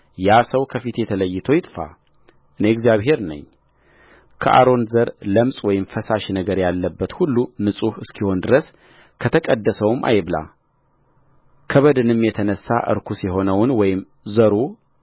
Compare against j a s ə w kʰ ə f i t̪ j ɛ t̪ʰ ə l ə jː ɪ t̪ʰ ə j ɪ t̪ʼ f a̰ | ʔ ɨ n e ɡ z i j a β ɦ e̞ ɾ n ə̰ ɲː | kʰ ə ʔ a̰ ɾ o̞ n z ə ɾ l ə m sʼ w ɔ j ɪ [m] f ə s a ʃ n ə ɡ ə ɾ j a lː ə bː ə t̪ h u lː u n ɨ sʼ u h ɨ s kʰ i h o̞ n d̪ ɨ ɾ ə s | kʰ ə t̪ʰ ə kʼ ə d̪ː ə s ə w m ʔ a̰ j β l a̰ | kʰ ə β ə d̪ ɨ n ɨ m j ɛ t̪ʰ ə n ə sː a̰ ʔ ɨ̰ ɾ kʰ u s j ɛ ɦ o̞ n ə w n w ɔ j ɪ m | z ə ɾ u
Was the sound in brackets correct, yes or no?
yes